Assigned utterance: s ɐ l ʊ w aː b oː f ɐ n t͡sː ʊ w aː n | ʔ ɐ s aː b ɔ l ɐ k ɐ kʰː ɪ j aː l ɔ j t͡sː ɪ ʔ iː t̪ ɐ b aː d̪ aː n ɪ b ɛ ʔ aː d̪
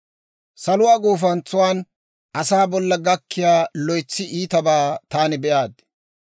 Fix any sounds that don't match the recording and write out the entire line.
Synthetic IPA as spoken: s ɐ l ʊ w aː ɡ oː f ɐ n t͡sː ʊ w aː n | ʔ ɐ s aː b ɔ lː ɐ ɡ ɐ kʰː ɪ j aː l ɔ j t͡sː ɪ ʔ iː t̪ ɐ b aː t̪ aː n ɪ b ɛ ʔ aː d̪